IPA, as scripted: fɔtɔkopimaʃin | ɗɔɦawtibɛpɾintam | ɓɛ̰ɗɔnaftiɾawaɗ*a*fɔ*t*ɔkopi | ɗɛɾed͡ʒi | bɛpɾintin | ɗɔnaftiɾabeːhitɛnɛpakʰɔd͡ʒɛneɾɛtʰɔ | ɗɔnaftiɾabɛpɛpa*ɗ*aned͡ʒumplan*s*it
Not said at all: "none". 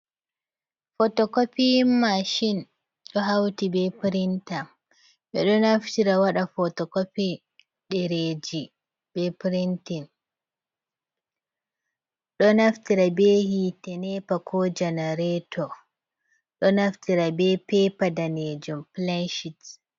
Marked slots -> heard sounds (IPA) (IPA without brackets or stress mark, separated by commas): a, t, d, ʃ